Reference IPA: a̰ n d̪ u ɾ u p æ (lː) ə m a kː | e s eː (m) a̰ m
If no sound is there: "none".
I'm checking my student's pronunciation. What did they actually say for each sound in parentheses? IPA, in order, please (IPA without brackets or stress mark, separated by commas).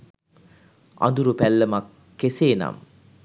lː, n